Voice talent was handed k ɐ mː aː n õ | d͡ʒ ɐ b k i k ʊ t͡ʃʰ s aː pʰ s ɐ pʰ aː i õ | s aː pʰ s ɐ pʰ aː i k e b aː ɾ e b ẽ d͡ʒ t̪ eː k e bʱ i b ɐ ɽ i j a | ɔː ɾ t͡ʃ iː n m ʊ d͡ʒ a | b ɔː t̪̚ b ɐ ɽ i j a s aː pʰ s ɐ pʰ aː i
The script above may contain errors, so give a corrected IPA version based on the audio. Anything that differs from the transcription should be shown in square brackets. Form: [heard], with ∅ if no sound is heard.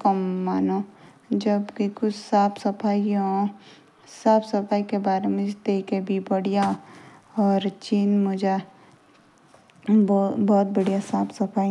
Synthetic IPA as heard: k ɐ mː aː n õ | d͡ʒ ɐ b k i k ʊ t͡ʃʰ s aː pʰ s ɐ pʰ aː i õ | s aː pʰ s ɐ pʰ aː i k e b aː ɾ e [m] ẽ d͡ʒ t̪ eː k e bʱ i b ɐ ɽ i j a | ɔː ɾ t͡ʃ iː n m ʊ d͡ʒ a | b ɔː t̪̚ b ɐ ɽ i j a s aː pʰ s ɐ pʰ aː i